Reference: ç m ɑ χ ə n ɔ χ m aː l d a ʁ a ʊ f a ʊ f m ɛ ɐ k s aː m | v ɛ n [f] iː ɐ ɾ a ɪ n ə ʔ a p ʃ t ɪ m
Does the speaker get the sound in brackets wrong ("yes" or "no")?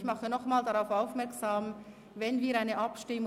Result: yes